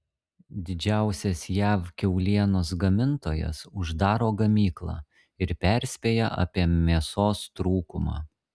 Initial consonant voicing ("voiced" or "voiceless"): voiced